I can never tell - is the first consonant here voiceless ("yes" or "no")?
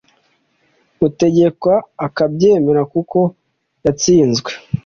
yes